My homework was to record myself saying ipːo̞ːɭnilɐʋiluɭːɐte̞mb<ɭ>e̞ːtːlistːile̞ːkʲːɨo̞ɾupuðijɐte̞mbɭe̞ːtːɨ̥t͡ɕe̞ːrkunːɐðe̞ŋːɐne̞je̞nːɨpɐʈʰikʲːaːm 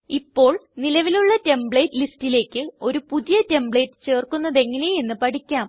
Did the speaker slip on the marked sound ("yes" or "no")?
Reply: no